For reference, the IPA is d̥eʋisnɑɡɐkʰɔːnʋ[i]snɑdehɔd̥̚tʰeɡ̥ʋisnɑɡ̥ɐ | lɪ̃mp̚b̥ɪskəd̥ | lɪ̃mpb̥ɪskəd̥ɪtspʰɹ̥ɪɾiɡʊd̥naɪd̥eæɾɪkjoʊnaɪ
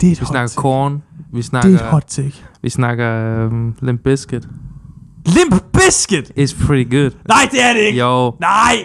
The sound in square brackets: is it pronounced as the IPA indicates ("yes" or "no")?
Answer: yes